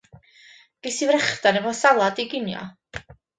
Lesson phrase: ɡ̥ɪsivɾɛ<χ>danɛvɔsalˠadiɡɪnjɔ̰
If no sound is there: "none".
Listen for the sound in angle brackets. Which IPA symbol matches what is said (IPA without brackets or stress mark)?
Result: χ